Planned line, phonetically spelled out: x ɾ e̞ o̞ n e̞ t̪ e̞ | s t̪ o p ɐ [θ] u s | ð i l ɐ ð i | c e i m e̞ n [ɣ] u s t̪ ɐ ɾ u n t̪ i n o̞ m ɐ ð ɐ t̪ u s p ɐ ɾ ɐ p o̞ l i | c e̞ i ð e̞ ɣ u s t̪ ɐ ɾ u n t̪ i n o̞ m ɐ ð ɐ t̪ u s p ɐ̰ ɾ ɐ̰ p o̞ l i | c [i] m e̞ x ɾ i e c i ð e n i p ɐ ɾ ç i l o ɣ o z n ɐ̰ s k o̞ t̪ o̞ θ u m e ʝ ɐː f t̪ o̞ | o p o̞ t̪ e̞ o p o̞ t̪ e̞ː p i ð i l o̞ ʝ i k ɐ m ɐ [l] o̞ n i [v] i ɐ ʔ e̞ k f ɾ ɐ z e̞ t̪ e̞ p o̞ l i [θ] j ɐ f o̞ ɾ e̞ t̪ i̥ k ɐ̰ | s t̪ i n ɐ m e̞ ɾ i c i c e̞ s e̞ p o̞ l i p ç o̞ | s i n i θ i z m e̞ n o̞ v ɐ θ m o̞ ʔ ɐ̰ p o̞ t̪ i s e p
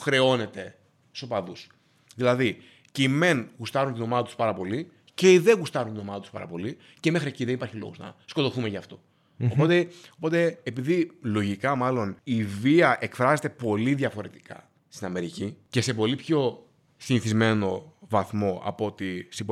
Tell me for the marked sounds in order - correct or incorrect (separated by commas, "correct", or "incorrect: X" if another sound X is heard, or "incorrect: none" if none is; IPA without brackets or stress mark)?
incorrect: ð, correct, incorrect: e, correct, correct, incorrect: ð